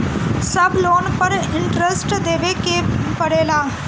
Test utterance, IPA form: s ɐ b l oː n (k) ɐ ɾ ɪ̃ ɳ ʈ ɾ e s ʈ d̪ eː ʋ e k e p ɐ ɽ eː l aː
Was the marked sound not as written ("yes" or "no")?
yes